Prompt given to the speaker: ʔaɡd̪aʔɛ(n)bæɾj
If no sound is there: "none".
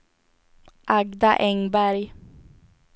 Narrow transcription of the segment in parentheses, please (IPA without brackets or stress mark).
ŋ